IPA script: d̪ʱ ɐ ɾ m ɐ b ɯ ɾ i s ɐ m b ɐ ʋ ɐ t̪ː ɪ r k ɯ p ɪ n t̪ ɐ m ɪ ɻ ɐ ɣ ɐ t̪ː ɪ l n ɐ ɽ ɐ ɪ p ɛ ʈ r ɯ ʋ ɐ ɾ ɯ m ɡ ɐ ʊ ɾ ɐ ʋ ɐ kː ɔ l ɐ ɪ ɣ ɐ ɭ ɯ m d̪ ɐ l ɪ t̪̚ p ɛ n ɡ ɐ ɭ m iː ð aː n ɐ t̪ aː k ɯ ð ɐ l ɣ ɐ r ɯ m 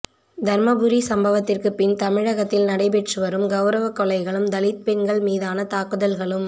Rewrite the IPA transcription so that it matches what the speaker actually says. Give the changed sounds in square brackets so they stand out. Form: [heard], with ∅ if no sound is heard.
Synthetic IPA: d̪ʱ ɐ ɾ m ɐ b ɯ ɾ i s ɐ m b ɐ ʋ ɐ t̪ː ɪ r k ɯ p ɪ n t̪ ɐ m ɪ ɻ ɐ ɣ ɐ t̪ː ɪ l n ɐ ɽ ɐ ɪ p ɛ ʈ r ɯ ʋ ɐ ɾ ɯ m ɡ ɐ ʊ ɾ ɐ ʋ ɐ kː ɔ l ɐ ɪ ɣ ɐ ɭ ɯ m d̪ ɐ l ɪ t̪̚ p ɛ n ɡ ɐ ɭ m iː ð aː n ɐ t̪ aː k ɯ ð ɐ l ɣ ɐ [ɭ] ɯ m